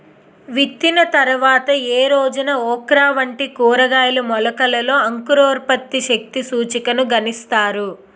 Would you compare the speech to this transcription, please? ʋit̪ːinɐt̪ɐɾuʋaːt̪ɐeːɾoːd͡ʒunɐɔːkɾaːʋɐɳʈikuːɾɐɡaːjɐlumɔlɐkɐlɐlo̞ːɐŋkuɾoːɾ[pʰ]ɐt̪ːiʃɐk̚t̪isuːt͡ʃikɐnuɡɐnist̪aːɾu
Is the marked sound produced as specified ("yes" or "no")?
no